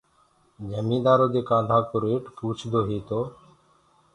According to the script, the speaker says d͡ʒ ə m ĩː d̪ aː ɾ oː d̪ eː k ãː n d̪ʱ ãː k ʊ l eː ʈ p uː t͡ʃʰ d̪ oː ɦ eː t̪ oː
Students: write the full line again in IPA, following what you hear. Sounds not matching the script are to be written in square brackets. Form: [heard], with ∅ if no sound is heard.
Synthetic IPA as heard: d͡ʒ ə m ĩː d̪ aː ɾ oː d̪ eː k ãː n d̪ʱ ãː k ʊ [ɾ] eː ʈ p uː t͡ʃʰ d̪ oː ɦ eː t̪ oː